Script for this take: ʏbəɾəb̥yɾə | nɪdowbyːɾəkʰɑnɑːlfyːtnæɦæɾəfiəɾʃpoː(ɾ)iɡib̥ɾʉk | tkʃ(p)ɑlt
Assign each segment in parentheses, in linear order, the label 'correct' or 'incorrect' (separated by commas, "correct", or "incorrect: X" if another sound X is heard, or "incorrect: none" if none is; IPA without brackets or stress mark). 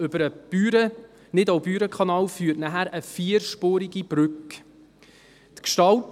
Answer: correct, incorrect: t